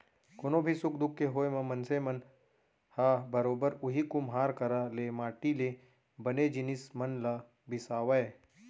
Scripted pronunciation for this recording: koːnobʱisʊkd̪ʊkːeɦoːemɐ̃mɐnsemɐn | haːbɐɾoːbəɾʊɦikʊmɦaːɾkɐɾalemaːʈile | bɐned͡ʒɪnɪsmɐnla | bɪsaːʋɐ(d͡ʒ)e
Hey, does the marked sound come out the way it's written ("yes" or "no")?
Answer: no